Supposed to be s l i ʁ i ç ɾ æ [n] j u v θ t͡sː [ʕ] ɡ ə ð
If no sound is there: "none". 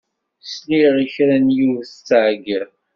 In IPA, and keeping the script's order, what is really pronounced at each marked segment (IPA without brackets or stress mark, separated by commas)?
n, ʕ